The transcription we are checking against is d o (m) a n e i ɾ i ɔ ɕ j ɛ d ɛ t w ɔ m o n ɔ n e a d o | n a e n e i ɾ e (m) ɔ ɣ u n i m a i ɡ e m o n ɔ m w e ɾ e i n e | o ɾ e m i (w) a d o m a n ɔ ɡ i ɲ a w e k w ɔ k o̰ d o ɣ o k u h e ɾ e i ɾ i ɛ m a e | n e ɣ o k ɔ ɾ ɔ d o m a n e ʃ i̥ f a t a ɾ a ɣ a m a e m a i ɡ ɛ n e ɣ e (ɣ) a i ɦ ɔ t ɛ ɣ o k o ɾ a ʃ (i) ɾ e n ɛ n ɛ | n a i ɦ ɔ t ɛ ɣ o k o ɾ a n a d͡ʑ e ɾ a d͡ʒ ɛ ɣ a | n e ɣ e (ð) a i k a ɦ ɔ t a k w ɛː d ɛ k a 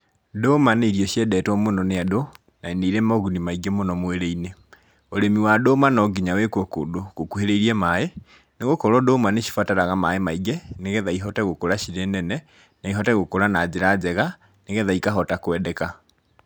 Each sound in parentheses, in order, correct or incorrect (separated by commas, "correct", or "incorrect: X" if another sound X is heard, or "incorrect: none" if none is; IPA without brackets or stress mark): correct, correct, correct, incorrect: ð, correct, correct